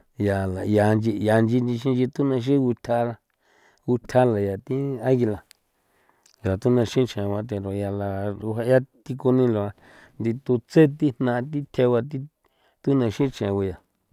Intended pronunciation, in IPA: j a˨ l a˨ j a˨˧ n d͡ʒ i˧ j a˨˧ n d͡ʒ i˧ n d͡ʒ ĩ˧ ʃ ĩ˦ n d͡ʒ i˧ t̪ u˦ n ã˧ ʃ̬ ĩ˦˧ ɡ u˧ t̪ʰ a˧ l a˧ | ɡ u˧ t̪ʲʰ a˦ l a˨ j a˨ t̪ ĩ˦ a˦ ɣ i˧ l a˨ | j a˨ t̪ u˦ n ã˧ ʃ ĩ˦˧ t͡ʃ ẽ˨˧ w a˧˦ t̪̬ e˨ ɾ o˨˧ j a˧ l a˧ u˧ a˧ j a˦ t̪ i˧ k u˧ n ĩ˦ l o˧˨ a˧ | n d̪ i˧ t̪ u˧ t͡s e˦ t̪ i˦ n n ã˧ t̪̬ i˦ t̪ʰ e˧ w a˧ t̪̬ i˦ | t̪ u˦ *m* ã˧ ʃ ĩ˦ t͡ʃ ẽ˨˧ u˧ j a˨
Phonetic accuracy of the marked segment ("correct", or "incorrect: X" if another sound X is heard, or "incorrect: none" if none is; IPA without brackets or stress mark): incorrect: n